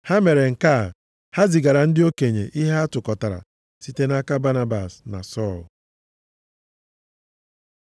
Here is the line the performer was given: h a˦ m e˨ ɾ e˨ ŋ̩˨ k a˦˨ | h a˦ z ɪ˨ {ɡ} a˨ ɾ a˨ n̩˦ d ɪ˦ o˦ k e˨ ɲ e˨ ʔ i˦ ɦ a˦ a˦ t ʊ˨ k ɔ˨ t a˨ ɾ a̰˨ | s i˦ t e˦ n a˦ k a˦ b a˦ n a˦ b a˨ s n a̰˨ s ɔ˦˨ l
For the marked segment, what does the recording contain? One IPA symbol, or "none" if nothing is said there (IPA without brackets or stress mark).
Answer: ɡ